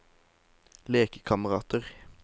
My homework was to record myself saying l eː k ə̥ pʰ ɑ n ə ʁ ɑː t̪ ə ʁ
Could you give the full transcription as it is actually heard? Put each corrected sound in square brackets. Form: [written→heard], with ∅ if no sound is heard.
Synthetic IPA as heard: l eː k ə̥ [pʰ→kʰ] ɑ [n→m] ə ʁ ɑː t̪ ə ʁ